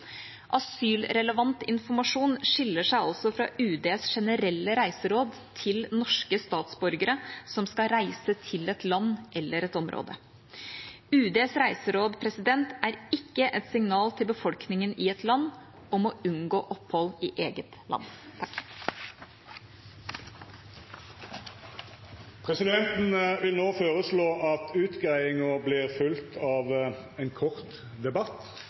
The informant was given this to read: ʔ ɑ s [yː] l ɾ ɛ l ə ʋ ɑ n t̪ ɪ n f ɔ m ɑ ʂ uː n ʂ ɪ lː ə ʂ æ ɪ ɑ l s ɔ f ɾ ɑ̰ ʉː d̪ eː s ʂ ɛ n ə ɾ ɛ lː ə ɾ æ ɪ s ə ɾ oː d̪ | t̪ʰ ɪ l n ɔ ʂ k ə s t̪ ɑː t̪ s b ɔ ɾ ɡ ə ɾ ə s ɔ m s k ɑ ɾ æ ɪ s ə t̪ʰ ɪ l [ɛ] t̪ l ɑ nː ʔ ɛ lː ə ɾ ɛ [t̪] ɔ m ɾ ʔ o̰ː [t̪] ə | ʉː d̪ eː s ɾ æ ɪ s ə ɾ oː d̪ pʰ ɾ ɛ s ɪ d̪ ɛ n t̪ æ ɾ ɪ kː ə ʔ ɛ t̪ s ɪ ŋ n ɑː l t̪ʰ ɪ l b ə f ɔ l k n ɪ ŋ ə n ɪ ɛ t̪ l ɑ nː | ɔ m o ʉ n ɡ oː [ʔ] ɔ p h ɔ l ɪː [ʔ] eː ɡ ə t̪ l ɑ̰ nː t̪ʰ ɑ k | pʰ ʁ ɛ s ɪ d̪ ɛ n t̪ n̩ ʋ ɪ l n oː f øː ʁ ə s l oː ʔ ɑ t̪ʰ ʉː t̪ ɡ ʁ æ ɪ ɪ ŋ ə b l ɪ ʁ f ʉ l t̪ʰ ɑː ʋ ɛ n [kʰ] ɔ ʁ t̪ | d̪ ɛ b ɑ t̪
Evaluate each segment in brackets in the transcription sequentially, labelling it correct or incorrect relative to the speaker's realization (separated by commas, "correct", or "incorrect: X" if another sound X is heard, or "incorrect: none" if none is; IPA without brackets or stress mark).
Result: correct, correct, correct, incorrect: d̪, correct, correct, correct